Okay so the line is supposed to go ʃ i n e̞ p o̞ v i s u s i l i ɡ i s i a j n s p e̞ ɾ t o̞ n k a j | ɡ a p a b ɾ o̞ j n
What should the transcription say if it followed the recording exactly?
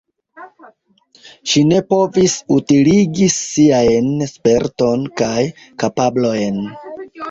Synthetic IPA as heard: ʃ i n e̞ p o̞ v i s u t i l i ɡ i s i a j n s p e̞ ɾ t o̞ n k a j | k a p a b l o̞ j n